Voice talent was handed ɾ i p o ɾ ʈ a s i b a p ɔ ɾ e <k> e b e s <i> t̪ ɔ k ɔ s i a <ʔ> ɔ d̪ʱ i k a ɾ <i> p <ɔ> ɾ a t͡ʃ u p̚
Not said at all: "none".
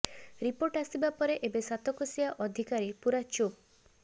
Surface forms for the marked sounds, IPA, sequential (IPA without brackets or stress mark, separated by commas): ʔ, a, ʔ, i, u